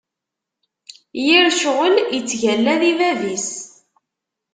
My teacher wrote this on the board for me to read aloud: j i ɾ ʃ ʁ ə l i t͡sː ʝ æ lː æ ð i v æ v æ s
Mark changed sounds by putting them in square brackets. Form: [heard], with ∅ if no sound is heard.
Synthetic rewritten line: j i ɾ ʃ ʁ ə l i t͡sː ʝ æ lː æ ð i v æ v [i] s